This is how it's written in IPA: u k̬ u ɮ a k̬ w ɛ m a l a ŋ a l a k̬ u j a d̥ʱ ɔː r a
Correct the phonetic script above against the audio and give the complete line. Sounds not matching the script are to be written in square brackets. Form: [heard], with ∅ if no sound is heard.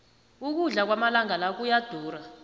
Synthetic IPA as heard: u k̬ u ɮ a k̬ w [a] m a l a ŋ a l a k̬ u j a d̥ʱ [uː] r a